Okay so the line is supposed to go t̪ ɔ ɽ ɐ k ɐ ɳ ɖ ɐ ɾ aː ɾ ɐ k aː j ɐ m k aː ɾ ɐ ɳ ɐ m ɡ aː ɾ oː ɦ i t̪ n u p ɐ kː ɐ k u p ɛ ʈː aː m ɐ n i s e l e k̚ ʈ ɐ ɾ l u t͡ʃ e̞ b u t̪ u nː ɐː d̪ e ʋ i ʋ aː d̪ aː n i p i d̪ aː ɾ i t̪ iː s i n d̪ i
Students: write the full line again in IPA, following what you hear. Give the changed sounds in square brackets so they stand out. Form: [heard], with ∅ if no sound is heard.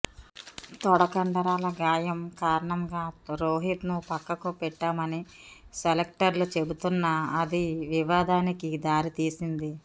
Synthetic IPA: t̪ ɔ ɽ ɐ k ɐ ɳ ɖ ɐ ɾ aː [l] ɐ [ɡ] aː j ɐ m k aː ɾ ɐ ɳ ɐ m ɡ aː ɾ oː ɦ i t̪ n u p ɐ kː ɐ k u p ɛ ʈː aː m ɐ n i s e l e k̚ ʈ ɐ ɾ l u t͡ʃ e̞ b u t̪ u nː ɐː d̪ [i] ʋ i ʋ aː d̪ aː n i [k] i d̪ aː ɾ i t̪ iː s i n d̪ i

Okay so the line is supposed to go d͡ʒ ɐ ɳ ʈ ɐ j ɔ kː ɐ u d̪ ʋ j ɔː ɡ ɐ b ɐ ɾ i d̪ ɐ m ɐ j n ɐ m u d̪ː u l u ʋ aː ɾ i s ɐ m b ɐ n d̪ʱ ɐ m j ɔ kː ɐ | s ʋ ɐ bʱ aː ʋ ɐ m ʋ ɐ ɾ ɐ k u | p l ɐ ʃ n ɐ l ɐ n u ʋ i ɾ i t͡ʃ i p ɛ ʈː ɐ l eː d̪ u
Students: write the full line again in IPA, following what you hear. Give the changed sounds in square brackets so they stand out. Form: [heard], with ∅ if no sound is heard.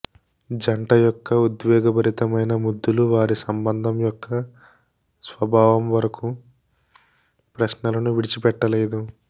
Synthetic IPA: d͡ʒ ɐ ɳ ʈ ɐ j ɔ kː ɐ u d̪ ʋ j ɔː ɡ ɐ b ɐ ɾ i [t̪] ɐ m ɐ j n ɐ m u d̪ː u l u ʋ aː ɾ i s ɐ m b ɐ n d̪ʱ ɐ m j ɔ kː ɐ | s ʋ ɐ bʱ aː ʋ ɐ m ʋ ɐ ɾ ɐ k u | p [ɾ] ɐ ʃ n ɐ l ɐ n u ʋ i [ɽ] i t͡ʃ i p ɛ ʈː ɐ l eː d̪ u

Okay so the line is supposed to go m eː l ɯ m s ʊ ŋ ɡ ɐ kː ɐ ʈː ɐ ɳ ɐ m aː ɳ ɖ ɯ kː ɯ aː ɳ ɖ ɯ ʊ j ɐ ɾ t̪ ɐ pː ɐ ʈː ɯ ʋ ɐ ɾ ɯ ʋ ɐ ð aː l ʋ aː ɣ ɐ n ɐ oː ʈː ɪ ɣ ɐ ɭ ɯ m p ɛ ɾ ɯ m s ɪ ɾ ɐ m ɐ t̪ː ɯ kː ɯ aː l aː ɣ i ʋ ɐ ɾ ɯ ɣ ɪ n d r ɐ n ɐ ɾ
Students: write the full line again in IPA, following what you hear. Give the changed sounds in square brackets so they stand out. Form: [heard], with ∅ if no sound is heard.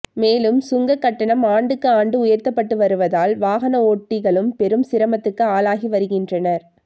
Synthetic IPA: m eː l ɯ m s ʊ ŋ ɡ ɐ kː ɐ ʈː ɐ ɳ ɐ m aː ɳ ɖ ɯ kː ɯ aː ɳ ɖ ɯ ʊ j ɐ ɾ t̪ ɐ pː ɐ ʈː ɯ ʋ ɐ ɾ ɯ ʋ ɐ ð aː l ʋ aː ɣ ɐ n ɐ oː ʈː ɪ ɣ ɐ ɭ ɯ m p ɛ ɾ ɯ m s ɪ ɾ ɐ m ɐ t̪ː ɯ kː ɯ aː l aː ɣ i ʋ ɐ ɾ ɯ ɣ ɪ n d r ɐ n ɐ ɾ

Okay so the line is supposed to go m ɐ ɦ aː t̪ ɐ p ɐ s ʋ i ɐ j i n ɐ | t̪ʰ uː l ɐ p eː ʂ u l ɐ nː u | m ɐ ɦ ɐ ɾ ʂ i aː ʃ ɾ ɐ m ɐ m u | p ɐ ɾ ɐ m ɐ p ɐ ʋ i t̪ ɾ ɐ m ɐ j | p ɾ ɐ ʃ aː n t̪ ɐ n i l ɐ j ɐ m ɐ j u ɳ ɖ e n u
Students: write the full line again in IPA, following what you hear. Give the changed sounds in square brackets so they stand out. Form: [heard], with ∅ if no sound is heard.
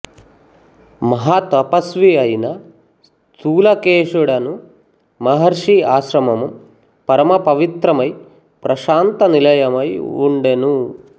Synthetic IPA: m ɐ ɦ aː t̪ ɐ p ɐ s ʋ i ɐ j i n ɐ | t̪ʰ uː l ɐ [k] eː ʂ u [ɽ] ɐ [n] u | m ɐ ɦ ɐ ɾ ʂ i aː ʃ ɾ ɐ m ɐ m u | p ɐ ɾ ɐ m ɐ p ɐ ʋ i t̪ ɾ ɐ m ɐ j | p ɾ ɐ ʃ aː n t̪ ɐ n i l ɐ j ɐ m ɐ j u ɳ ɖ e n u

